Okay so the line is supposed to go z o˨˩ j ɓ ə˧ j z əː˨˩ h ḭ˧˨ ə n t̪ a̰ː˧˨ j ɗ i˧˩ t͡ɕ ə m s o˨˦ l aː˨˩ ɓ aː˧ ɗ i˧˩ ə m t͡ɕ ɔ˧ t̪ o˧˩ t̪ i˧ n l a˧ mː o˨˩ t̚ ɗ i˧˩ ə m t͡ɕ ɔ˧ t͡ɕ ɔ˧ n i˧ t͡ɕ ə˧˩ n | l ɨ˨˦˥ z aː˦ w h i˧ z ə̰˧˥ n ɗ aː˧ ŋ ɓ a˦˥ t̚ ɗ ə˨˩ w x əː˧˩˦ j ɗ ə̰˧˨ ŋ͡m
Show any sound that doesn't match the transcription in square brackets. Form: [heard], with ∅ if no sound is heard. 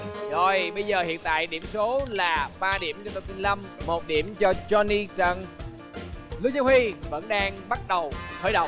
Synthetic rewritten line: z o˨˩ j ɓ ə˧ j z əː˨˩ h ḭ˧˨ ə n t̪ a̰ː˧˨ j ɗ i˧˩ [∅] ə m s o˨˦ l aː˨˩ ɓ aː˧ ɗ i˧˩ ə m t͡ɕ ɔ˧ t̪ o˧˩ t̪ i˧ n l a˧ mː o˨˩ t̚ ɗ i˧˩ ə m t͡ɕ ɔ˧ t͡ɕ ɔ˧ n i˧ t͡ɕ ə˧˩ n | l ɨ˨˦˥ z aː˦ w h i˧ [v] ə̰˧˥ n ɗ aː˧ ŋ ɓ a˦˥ t̚ ɗ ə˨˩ w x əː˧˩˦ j ɗ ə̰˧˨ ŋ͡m